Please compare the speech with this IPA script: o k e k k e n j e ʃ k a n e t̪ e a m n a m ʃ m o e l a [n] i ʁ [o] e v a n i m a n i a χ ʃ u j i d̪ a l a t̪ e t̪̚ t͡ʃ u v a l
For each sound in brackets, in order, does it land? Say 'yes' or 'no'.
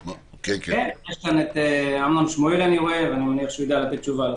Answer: yes, yes

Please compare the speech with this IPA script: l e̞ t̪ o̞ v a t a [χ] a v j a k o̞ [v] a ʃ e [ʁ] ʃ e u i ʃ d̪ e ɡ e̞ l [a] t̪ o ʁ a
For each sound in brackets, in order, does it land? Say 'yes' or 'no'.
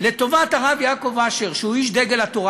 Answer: no, yes, yes, yes

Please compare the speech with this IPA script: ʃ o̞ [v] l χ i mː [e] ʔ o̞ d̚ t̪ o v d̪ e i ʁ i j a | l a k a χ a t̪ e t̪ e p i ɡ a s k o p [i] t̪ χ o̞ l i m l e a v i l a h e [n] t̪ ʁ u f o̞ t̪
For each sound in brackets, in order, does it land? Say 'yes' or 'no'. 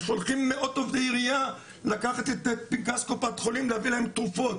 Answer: no, yes, no, no

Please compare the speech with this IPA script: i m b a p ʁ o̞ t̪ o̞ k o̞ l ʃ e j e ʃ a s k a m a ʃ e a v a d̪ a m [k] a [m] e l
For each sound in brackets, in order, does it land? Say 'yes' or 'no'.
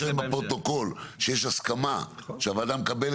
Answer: yes, no

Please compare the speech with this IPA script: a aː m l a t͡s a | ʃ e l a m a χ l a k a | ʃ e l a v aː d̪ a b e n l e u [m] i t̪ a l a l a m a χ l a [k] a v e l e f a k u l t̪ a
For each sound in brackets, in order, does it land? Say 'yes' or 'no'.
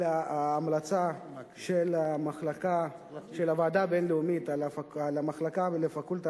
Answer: yes, yes

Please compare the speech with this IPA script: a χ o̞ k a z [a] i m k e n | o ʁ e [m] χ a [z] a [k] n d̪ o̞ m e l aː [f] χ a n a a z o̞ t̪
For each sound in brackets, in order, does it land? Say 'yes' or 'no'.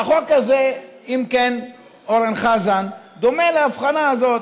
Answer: no, no, yes, no, yes

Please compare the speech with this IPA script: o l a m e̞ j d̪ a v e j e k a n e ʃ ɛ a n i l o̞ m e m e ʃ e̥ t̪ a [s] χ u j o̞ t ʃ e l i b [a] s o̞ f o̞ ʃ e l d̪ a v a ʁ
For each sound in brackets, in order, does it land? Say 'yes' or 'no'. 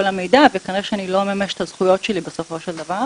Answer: no, no

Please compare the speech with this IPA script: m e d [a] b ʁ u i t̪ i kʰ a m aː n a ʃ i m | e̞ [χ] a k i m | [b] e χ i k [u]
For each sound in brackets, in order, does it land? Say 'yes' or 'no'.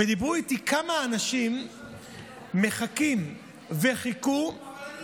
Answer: no, yes, no, yes

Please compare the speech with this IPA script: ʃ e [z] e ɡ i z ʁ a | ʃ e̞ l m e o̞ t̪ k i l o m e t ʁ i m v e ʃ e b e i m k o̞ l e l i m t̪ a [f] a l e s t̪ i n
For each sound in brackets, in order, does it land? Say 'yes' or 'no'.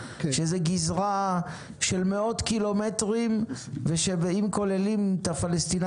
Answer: yes, yes

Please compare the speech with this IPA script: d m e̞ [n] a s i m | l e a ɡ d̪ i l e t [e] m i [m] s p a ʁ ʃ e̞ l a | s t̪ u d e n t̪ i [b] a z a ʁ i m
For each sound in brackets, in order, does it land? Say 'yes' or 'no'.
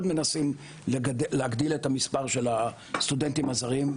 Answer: yes, no, no, no

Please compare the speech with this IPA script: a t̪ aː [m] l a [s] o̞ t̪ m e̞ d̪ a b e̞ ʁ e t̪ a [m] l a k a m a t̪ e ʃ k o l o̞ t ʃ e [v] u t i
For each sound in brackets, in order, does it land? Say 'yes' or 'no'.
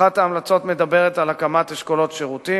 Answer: yes, no, no, no

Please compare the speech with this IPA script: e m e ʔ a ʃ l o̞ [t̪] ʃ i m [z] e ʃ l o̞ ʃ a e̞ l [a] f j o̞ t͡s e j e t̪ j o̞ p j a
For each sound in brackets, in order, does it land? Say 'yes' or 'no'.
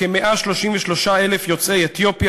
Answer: no, no, no

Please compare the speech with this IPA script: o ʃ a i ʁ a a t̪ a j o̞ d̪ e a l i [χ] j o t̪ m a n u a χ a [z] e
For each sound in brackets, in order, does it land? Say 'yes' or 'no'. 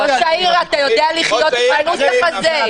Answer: yes, yes

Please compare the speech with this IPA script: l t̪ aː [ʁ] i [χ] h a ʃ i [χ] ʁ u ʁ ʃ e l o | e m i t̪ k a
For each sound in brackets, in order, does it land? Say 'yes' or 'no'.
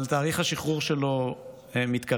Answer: yes, yes, yes

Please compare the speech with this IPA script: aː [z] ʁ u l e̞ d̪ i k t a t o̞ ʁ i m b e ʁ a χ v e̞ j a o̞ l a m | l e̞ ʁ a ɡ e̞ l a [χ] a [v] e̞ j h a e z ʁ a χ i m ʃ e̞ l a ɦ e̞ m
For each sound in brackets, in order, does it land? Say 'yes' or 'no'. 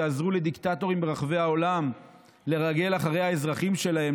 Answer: yes, yes, no

